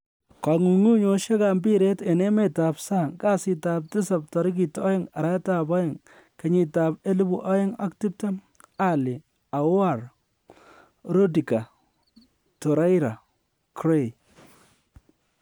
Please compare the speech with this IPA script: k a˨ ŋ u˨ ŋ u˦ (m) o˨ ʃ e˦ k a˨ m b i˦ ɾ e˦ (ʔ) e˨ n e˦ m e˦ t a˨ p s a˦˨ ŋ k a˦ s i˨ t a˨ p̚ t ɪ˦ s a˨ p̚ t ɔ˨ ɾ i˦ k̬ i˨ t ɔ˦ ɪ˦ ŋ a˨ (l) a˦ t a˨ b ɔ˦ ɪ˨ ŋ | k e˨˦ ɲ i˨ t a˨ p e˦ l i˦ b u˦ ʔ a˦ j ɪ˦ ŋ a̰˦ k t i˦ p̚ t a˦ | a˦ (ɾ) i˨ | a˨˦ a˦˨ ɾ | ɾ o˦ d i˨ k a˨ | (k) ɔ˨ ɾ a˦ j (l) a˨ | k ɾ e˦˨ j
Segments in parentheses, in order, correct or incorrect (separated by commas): incorrect, incorrect, incorrect, incorrect, incorrect, incorrect